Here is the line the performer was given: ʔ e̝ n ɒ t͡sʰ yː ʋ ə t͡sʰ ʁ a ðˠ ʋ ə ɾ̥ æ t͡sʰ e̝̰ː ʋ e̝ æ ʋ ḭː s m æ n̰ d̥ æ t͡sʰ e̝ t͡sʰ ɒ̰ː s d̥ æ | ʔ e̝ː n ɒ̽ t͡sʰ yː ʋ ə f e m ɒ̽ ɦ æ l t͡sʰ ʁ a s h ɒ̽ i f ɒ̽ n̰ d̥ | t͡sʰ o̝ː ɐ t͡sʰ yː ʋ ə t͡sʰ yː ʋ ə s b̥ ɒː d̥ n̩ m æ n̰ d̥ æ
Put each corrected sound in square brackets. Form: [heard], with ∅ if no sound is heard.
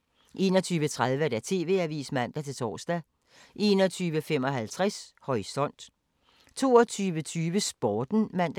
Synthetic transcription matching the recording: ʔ e̝ n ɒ t͡sʰ yː ʋ ə t͡sʰ ʁ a ðˠ ʋ ə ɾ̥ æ t͡sʰ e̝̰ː ʋ e̝ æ ʋ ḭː s m æ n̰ d̥ æ t͡sʰ e̝ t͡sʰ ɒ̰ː s d̥ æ | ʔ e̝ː n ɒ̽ t͡sʰ yː ʋ ə f e m ɒ̽ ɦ æ l t͡sʰ ʁ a s h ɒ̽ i [s] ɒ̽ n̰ d̥ | t͡sʰ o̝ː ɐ t͡sʰ yː ʋ ə t͡sʰ yː ʋ ə s b̥ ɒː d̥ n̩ m æ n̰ d̥ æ